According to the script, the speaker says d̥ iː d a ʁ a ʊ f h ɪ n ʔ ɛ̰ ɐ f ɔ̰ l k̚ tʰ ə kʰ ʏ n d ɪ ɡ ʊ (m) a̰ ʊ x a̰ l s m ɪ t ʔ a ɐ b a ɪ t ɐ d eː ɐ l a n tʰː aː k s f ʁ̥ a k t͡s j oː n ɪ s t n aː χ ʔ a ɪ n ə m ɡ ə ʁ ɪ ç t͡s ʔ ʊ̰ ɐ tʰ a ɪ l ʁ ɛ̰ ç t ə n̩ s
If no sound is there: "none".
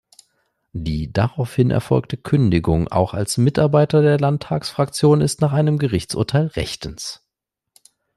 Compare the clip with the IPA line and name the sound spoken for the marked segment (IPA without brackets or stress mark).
ŋ